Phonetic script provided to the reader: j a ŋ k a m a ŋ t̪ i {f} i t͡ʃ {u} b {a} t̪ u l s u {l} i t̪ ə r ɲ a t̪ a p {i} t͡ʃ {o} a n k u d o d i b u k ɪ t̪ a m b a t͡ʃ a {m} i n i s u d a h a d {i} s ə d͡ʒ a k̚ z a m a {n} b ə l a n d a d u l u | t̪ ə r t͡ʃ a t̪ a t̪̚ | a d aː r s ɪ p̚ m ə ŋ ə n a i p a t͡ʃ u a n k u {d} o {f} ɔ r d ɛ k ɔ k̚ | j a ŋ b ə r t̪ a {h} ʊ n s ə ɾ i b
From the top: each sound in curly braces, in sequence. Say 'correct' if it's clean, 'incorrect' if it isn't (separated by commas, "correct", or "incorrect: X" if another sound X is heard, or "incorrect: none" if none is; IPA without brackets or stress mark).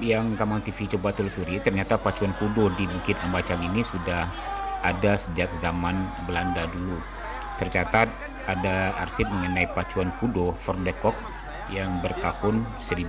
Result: correct, incorrect: o, correct, incorrect: ɾ, incorrect: a, incorrect: u, incorrect: ŋ, incorrect: a, correct, correct, correct, correct